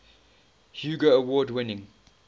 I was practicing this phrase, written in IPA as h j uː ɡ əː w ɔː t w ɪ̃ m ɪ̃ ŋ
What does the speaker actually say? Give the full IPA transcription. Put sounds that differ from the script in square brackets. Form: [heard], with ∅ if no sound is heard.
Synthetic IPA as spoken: h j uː ɡ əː w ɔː [d] w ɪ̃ [n] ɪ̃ ŋ